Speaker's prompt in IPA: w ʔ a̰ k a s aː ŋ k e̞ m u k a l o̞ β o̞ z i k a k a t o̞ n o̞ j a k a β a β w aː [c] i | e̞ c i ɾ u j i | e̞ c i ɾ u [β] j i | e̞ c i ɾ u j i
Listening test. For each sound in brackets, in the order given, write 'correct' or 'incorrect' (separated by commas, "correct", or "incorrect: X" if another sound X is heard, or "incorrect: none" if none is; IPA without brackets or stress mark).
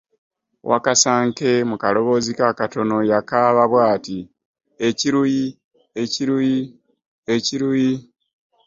incorrect: t, incorrect: none